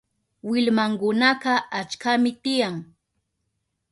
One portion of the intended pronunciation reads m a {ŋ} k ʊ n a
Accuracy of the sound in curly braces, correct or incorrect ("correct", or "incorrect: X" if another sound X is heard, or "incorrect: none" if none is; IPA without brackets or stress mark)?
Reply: correct